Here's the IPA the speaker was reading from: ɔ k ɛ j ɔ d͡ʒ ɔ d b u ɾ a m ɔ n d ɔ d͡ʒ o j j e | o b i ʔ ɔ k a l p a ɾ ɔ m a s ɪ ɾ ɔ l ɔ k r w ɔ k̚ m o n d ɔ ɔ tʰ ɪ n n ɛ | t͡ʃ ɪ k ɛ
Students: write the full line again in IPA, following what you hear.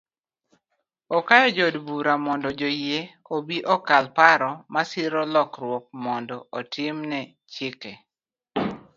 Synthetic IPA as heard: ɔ k a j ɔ d͡ʒ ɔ d b u ɾ a m ɔ n d ɔ d͡ʒ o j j e | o b i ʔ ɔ k a l p a ɾ ɔ m a s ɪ ɾ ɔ l ɔ k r w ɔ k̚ m ɔ n d ɔ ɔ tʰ ɪ m n ɛ | t͡ʃ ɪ k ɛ